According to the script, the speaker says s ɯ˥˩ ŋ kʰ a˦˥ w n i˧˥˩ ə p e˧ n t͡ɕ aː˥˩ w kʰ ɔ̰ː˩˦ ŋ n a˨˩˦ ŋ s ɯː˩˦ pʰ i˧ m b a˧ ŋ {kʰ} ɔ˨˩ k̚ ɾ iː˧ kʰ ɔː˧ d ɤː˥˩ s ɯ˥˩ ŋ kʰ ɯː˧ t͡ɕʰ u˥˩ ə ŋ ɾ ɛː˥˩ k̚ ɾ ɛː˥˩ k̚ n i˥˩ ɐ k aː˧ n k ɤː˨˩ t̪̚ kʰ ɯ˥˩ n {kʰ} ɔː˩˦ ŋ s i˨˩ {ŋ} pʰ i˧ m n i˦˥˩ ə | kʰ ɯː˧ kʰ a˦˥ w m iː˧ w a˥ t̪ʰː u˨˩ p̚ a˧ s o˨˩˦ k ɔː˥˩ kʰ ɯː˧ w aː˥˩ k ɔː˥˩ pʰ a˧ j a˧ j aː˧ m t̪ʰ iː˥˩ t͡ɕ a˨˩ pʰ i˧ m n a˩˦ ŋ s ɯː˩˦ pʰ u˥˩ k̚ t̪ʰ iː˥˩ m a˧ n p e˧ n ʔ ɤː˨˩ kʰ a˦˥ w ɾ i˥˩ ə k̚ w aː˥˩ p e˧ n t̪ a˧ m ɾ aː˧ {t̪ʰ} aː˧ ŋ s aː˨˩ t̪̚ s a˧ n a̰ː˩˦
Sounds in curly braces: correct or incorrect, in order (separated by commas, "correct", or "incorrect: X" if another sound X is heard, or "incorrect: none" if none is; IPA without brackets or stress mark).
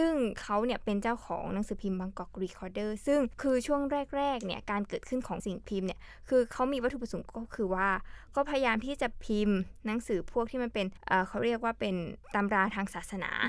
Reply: incorrect: k, correct, correct, correct